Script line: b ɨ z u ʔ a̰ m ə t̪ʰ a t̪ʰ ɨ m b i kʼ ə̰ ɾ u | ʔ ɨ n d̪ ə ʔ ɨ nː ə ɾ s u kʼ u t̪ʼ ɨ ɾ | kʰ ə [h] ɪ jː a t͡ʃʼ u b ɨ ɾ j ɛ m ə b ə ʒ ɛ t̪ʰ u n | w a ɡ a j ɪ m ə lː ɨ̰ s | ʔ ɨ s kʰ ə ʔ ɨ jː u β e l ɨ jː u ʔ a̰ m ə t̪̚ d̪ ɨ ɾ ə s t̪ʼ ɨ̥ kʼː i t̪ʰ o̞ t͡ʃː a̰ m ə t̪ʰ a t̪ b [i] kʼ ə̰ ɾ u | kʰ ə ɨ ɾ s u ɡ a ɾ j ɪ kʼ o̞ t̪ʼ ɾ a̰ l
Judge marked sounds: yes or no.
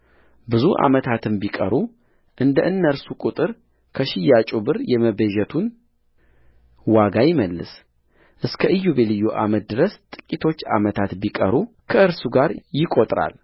no, yes

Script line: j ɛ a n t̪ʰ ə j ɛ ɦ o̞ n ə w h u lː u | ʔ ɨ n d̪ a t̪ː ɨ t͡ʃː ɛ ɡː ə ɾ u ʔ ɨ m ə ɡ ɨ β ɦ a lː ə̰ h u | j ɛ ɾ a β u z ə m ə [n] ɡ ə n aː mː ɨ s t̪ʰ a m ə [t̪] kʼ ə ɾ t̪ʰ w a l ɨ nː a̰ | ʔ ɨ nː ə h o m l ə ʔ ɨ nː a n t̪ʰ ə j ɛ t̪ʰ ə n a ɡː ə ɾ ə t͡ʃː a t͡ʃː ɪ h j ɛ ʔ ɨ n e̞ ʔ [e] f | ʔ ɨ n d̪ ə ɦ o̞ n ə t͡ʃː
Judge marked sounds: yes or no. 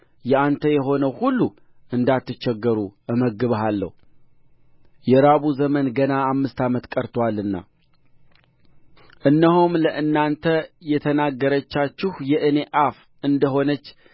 yes, yes, no

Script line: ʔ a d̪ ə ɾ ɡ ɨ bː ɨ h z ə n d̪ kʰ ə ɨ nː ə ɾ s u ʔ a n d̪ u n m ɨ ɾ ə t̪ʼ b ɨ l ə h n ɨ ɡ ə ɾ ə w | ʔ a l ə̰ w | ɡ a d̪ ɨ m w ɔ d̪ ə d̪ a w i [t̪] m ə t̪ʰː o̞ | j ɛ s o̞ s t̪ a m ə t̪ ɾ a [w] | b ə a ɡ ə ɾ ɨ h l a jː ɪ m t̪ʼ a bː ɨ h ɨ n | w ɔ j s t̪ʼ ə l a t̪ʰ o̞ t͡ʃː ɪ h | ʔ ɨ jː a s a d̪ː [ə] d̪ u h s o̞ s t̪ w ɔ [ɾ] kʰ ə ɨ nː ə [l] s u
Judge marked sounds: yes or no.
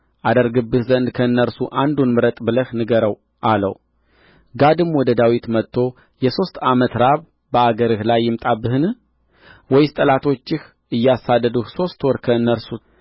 yes, no, yes, yes, no

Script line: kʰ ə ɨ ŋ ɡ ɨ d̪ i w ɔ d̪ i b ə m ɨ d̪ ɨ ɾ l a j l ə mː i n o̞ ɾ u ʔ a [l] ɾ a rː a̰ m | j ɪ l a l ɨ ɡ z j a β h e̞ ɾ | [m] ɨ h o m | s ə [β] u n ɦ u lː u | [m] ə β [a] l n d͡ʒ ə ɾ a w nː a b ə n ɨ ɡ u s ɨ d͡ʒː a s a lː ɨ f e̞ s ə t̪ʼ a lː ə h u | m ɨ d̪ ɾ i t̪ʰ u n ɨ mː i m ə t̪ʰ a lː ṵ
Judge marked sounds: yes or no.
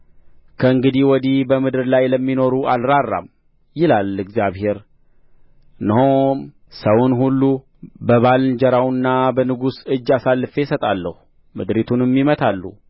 yes, no, no, no, yes

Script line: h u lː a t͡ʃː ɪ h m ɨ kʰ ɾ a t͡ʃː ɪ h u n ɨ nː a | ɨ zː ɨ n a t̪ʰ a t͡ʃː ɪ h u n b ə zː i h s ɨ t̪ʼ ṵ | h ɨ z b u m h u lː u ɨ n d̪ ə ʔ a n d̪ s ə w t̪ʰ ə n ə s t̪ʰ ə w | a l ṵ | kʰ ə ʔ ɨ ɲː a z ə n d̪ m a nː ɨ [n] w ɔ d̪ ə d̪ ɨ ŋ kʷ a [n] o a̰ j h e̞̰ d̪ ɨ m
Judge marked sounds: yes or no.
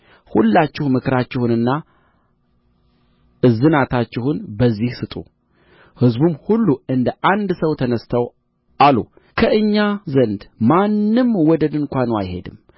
no, yes

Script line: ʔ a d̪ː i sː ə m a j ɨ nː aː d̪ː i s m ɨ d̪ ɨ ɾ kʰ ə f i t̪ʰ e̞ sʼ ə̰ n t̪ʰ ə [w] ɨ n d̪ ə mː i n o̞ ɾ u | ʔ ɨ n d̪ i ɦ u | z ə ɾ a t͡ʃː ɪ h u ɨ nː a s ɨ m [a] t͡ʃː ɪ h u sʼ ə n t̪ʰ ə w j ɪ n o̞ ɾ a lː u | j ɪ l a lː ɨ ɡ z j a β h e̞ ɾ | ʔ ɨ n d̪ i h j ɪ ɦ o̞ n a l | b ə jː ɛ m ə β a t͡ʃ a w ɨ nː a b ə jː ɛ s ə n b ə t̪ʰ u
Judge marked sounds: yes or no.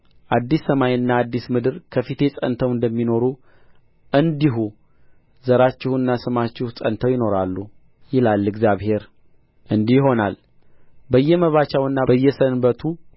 yes, yes

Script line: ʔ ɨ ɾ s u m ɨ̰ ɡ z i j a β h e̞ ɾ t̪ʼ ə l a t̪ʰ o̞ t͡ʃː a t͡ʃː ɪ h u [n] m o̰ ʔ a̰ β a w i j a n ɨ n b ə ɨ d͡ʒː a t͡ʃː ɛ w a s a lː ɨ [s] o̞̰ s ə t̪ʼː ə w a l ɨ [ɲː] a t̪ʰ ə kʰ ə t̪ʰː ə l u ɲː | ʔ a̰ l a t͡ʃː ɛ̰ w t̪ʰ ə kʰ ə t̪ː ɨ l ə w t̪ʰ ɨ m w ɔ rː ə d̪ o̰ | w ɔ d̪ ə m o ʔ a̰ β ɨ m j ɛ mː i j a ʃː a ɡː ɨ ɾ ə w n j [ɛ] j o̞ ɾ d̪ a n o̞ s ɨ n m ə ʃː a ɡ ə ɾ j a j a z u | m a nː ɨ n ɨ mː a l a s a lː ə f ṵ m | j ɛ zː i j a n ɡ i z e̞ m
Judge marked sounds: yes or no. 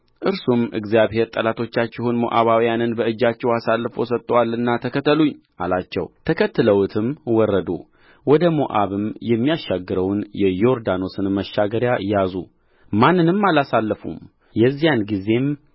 yes, no, no, yes

